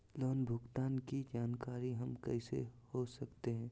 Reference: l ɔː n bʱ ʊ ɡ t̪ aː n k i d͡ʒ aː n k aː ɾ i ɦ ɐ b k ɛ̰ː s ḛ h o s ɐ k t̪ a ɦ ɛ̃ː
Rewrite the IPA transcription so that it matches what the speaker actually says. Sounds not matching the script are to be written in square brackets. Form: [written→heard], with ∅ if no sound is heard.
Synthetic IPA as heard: l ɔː n bʱ ʊ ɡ t̪ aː n k i d͡ʒ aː n k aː ɾ i ɦ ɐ [b→m] k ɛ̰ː s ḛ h o s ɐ k t̪ [a→e] ɦ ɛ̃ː